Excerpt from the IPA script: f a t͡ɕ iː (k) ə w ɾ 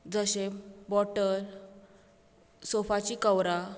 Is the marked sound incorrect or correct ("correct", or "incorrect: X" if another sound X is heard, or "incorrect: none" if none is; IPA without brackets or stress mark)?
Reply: correct